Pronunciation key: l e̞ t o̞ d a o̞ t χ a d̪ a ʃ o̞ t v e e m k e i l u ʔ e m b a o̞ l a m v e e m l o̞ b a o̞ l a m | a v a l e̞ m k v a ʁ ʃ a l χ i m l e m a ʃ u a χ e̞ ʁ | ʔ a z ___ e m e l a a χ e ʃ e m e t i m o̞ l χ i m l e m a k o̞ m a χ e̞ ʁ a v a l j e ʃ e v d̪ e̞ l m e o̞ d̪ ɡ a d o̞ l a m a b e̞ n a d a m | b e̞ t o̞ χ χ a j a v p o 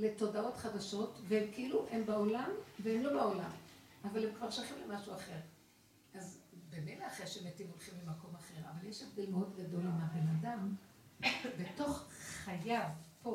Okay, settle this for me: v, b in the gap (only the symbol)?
b